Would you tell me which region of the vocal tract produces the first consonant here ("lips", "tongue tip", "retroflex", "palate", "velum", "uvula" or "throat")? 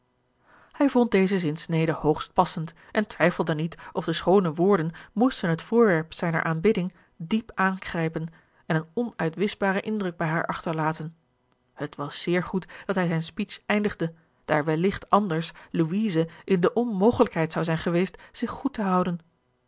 throat